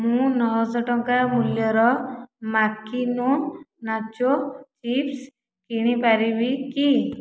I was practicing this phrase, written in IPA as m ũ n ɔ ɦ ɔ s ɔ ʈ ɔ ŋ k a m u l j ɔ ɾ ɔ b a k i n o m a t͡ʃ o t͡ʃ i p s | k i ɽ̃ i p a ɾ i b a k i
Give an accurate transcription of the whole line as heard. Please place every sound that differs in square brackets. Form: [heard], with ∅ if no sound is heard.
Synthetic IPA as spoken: m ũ n ɔ ɦ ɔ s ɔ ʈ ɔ ŋ k a m u l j ɔ ɾ ɔ [m] a k i n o [n] a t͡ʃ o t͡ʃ i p s | k i ɽ̃ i p a ɾ i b [i] k i